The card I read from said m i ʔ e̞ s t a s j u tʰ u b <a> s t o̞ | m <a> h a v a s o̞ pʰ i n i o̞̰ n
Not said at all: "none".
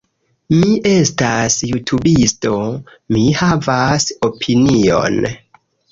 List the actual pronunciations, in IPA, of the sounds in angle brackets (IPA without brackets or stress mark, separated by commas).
i, i